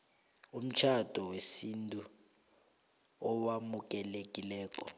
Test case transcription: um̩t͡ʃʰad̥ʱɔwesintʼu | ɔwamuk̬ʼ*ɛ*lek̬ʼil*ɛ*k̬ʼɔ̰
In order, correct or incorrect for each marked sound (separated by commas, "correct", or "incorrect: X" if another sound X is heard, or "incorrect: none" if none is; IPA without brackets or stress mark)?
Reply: correct, incorrect: ɛː